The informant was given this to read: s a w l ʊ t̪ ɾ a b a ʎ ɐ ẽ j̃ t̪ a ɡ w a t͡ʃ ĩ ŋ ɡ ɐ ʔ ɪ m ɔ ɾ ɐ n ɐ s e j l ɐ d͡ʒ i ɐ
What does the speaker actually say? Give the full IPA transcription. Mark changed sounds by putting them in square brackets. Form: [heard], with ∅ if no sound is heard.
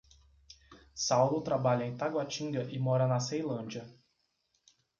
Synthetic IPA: s a w l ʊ t̪ ɾ a b a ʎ ɐ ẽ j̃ t̪ a ɡ w a t͡ʃ ĩ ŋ ɡ ɐ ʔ ɪ m ɔ ɾ ɐ n ɐ s e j l [ɐ̃] d͡ʒ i ɐ